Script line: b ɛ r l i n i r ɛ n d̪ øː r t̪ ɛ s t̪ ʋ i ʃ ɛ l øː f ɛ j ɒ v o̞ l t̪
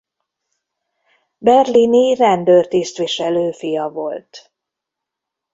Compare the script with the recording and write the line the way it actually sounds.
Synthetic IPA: b ɛ r l i n i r ɛ n d̪ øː r t̪ i s t̪ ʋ i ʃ ɛ l øː f i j ɒ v o̞ l t̪